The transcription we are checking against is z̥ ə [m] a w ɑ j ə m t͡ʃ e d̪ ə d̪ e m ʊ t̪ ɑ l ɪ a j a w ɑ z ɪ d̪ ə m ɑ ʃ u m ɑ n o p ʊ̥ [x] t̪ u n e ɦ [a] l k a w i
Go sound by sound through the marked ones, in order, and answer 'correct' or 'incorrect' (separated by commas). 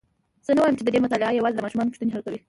incorrect, incorrect, correct